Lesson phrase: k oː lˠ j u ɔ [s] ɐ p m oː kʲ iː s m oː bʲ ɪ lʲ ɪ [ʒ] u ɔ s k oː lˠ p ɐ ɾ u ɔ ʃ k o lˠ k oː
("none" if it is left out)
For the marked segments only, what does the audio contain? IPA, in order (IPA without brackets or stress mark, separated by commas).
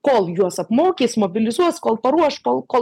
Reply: s, z